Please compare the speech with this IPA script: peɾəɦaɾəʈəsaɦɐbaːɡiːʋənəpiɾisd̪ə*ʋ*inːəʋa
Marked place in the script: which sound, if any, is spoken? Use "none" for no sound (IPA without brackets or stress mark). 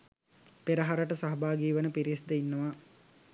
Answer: none